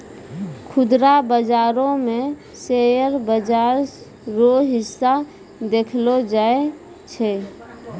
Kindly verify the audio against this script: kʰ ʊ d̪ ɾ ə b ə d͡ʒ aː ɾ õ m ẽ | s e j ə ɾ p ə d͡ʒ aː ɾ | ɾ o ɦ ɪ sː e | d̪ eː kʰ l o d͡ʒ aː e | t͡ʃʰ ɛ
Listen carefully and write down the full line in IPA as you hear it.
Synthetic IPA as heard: kʰ ʊ d̪ ɾ a b ə d͡ʒ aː ɾ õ m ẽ | s e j ə ɾ b ə d͡ʒ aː ɾ | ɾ o ɦ ɪ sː a | d̪ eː kʰ l o d͡ʒ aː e | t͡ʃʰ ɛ